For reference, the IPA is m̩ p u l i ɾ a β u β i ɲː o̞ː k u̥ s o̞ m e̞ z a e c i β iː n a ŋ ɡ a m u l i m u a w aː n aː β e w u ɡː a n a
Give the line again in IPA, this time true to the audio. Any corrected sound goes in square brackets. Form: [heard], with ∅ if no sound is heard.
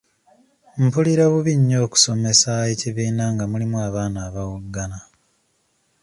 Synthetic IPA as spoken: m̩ p u l i ɾ a β u β i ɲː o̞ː k u̥ s o̞ m e̞ [s] a e c i β iː n a ŋ ɡ a m u l i m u a [β] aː n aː β [a] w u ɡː a n a